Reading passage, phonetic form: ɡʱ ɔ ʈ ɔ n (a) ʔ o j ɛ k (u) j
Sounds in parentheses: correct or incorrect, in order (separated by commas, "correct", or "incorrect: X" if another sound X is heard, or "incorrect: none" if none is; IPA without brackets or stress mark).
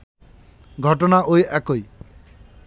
correct, incorrect: o